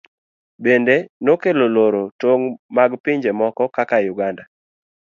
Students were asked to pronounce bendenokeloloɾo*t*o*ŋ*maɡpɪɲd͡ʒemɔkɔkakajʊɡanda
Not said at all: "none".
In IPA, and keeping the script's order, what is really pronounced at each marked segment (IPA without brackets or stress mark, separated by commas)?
t, ŋ